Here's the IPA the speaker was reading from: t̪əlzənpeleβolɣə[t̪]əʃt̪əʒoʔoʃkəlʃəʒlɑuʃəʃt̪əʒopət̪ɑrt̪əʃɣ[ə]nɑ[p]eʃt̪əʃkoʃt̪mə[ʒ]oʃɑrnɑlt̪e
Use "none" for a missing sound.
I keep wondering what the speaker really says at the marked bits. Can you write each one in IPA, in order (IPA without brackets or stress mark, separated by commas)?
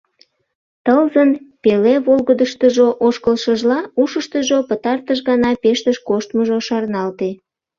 d̪, ɑ, p, ʒ